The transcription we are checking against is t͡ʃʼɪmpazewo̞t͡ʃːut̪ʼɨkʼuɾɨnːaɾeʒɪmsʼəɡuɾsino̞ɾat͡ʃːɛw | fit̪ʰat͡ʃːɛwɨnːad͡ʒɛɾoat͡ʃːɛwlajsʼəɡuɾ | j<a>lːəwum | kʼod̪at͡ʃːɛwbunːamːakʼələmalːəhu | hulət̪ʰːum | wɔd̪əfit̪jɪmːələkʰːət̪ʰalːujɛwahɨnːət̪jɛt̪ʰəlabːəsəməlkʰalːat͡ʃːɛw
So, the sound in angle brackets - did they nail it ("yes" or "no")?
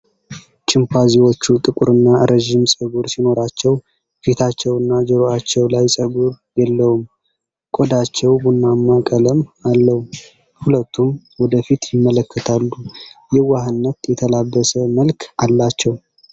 no